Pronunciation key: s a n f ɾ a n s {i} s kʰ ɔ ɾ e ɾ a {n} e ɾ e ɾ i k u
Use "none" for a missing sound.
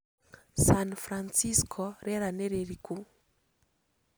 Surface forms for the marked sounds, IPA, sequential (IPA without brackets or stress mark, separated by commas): i, n